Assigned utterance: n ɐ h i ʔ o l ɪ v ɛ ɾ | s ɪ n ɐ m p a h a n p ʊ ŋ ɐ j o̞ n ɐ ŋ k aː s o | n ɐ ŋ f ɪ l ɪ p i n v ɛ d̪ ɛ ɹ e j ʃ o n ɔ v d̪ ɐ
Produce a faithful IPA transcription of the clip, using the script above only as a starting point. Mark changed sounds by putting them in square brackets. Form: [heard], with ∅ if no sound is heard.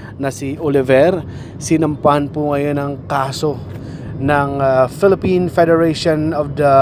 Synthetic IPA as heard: n ɐ [s] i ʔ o l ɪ v ɛ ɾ | s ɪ n ɐ m p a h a n p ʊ ŋ ɐ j o̞ n ɐ ŋ k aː s o | n ɐ ŋ f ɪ l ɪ p i n [f] ɛ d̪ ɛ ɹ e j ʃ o n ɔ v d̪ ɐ